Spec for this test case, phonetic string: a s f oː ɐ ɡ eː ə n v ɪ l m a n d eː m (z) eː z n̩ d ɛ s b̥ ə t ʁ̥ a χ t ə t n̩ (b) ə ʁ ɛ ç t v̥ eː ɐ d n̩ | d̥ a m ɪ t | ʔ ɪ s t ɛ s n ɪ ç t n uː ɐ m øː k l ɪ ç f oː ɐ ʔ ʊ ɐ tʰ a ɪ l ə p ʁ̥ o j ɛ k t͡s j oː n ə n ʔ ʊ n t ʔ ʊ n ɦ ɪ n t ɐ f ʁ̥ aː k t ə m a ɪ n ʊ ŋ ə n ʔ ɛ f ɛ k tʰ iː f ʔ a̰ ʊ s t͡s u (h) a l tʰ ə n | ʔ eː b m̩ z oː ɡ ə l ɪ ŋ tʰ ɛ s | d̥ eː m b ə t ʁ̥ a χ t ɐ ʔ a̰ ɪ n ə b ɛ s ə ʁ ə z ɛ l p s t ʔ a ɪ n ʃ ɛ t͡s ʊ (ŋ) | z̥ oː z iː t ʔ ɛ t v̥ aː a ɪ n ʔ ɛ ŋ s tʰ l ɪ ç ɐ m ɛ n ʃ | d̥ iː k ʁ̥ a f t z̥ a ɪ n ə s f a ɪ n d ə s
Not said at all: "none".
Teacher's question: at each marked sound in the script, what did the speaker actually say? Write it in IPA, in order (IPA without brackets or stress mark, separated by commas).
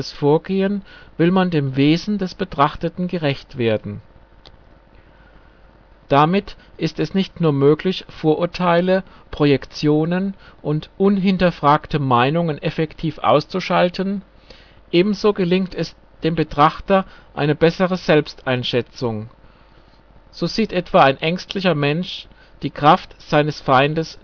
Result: v, ɡ, ʃ, ŋ